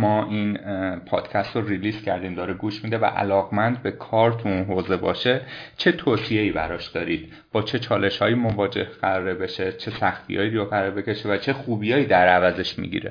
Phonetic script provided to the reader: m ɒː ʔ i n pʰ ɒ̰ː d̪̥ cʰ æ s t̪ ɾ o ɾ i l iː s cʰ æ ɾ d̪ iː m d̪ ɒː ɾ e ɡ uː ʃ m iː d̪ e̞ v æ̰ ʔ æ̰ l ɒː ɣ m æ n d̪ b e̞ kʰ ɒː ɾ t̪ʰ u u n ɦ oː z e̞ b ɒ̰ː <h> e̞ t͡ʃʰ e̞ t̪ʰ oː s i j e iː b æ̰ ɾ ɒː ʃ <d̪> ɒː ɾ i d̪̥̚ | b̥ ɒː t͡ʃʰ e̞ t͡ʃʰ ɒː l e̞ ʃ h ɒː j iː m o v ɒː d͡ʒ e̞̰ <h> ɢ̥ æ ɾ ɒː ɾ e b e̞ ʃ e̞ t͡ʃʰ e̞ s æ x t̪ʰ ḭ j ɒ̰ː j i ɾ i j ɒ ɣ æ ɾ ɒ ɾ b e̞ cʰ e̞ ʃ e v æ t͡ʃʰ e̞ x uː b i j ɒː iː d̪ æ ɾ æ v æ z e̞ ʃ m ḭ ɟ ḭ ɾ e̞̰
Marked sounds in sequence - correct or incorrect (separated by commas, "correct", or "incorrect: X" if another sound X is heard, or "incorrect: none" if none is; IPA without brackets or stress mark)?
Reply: incorrect: ʃ, correct, correct